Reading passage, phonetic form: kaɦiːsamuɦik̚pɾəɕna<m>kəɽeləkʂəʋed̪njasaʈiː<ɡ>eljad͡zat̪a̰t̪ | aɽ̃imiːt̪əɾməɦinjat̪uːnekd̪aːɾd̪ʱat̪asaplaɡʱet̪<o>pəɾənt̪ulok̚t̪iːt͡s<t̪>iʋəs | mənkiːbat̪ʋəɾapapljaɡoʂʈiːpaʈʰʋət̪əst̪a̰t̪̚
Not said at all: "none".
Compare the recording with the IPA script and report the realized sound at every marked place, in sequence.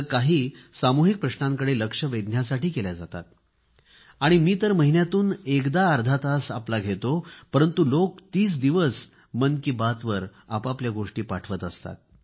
ŋ, k, o, d̪

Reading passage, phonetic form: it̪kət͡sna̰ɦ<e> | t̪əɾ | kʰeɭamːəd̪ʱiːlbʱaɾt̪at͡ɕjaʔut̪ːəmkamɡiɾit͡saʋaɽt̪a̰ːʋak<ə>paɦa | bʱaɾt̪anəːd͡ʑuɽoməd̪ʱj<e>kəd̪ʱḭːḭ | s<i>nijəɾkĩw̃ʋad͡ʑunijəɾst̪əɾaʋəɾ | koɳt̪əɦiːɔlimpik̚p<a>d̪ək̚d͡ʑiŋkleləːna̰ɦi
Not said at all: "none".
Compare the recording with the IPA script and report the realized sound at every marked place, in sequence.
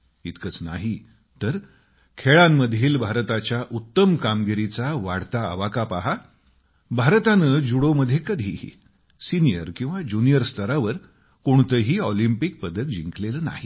i, a, e, i, ə

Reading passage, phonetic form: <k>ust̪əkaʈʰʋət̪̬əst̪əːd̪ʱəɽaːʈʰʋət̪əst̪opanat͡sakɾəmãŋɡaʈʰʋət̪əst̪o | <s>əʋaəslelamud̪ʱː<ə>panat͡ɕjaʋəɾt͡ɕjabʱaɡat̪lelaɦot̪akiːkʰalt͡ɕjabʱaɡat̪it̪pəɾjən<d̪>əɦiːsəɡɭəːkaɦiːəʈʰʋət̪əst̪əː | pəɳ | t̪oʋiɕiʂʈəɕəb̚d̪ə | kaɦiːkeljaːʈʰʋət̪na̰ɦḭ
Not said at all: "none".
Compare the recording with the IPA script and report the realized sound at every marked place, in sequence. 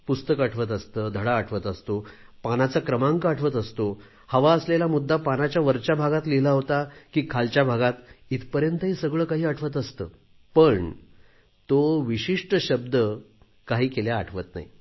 p, h, a, t̪

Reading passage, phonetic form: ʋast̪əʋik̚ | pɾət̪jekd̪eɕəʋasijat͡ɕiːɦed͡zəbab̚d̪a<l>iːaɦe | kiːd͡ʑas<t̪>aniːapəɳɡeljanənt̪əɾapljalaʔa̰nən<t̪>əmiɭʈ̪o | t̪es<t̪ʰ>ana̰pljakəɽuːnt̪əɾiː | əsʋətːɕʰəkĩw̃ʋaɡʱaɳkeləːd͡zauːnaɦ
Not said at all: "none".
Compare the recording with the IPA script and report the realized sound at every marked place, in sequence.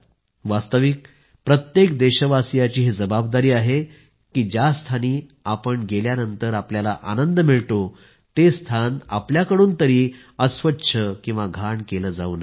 ɾ, t̪ʰ, d̪, t̪ʰ

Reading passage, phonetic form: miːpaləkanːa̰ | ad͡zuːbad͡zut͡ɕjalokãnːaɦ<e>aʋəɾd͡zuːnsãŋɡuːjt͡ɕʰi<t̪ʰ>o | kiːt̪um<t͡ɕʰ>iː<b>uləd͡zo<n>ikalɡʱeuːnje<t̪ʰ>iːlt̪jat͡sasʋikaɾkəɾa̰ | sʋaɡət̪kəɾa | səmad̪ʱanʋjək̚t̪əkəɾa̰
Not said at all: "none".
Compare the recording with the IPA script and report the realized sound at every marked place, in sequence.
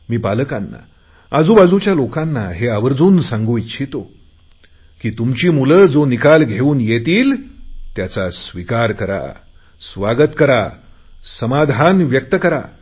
e, t̪, t͡ɕ, m, n, t̪

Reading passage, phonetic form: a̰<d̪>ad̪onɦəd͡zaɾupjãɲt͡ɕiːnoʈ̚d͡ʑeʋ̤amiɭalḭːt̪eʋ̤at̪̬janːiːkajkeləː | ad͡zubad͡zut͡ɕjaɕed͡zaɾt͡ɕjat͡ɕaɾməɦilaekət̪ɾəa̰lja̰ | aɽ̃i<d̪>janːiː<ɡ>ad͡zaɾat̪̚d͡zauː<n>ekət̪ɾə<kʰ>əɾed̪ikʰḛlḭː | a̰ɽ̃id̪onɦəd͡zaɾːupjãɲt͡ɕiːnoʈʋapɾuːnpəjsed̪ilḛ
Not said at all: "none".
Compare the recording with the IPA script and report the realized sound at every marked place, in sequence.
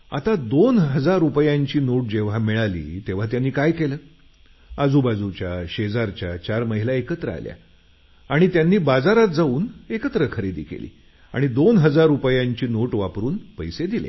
t̪, t̪, b, n, kʰ

